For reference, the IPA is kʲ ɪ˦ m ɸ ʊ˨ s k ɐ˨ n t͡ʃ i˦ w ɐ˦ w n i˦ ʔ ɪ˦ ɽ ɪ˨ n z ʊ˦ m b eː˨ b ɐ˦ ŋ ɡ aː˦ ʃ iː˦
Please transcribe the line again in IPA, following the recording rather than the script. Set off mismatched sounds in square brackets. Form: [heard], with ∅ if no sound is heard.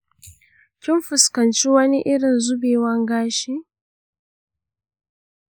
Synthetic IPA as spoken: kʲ ɪ˦ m ɸ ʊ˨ s k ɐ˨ n t͡ʃ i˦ w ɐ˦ [∅] n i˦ ʔ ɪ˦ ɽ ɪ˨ n z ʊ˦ [∅] b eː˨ [w] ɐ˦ ŋ ɡ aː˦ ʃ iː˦

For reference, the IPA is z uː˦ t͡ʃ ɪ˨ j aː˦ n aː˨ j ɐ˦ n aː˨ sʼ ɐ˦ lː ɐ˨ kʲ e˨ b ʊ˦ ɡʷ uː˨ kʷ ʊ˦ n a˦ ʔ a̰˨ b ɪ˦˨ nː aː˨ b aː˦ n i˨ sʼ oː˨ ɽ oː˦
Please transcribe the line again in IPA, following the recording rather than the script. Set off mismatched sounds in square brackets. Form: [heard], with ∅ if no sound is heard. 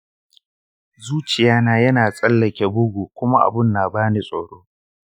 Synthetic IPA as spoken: z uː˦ t͡ʃ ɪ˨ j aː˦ n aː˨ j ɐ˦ n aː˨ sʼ ɐ˦ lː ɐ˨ kʲ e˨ b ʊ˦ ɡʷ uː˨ kʷ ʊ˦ [m] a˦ ʔ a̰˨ b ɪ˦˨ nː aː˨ b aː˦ n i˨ sʼ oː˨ ɽ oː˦

